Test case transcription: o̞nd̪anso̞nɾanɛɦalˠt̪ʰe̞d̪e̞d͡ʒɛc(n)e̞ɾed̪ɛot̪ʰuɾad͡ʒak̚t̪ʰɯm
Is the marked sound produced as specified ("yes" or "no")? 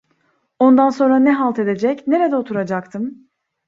yes